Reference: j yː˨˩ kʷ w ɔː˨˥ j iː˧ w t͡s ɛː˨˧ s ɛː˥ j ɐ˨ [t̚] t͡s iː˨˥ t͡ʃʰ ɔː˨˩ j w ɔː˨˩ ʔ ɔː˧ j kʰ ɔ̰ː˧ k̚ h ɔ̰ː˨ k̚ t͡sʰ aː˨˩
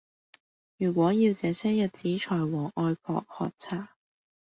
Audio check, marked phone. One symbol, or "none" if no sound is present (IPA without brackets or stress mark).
t̚